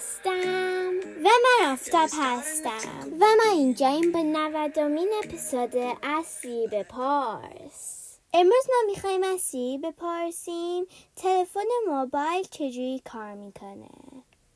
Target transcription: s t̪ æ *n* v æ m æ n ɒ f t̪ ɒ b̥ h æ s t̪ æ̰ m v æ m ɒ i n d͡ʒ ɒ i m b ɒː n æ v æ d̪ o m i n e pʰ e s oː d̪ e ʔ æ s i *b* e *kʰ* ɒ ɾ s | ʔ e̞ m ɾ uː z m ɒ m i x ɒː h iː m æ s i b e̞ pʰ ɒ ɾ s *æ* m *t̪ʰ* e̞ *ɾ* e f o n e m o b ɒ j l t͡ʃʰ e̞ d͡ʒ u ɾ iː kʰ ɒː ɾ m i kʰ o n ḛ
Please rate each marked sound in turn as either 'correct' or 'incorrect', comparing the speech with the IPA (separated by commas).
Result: incorrect, correct, incorrect, incorrect, correct, incorrect